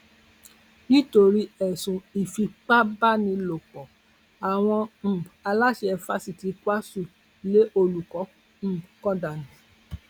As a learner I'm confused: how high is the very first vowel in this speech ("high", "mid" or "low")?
high